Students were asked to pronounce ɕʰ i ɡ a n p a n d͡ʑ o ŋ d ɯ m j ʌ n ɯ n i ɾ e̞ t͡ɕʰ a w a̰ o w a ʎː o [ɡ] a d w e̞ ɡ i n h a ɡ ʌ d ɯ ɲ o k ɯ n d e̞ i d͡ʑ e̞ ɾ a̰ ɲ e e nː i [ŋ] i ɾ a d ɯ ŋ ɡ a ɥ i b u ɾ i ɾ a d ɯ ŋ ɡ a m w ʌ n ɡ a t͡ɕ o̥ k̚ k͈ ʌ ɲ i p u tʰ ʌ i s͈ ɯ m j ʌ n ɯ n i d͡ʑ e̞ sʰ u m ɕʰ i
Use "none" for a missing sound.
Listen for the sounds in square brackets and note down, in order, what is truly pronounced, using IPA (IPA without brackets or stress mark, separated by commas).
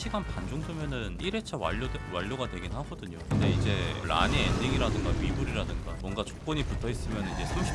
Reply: ɡ, ŋ